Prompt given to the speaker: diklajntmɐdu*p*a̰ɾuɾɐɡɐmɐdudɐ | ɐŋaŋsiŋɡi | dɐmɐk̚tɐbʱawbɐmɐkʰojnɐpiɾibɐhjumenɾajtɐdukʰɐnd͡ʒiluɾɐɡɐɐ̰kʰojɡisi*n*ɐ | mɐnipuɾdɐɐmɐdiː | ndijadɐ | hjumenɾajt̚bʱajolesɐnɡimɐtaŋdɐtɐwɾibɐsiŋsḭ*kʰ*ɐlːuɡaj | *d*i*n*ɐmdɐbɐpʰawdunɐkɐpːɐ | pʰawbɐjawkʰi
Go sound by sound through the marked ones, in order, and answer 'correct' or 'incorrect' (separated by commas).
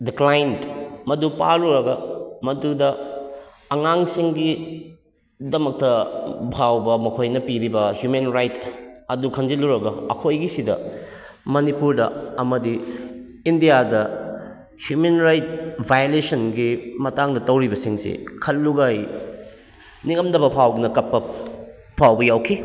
correct, incorrect, correct, incorrect, incorrect